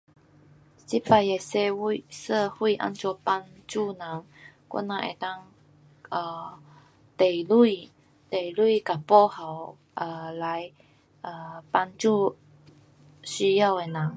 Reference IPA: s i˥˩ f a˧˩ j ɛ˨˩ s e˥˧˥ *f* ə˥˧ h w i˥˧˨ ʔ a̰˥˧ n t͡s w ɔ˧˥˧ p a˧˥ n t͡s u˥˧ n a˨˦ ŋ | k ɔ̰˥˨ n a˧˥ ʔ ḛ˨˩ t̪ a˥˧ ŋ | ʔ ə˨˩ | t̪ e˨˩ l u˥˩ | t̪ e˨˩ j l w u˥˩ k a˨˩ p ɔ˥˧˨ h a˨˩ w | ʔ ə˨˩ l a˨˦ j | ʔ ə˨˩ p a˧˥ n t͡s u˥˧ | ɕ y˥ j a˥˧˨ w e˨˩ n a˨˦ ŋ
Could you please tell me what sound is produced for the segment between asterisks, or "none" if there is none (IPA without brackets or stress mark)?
s